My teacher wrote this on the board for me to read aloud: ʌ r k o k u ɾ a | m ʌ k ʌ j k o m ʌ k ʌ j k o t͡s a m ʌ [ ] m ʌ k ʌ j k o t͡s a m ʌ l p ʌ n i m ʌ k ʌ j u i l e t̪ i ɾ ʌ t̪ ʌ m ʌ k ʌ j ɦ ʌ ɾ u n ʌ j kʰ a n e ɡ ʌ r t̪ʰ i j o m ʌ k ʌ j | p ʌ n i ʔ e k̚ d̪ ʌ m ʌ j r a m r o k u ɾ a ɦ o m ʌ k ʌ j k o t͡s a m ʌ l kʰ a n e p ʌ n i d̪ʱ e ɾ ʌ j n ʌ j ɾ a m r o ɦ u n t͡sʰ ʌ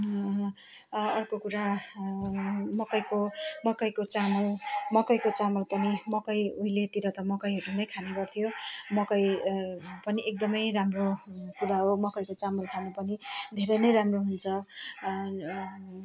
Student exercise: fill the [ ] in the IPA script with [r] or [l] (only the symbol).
l